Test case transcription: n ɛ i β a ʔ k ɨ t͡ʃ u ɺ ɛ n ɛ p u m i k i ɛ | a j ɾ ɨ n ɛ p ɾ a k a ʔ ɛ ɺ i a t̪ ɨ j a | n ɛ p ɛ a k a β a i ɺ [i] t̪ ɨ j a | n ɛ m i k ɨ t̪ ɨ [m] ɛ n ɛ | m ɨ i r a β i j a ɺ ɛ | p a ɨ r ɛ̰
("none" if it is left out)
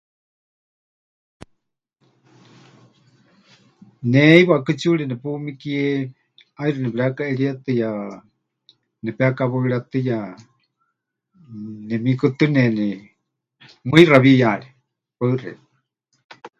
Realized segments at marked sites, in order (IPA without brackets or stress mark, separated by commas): a, n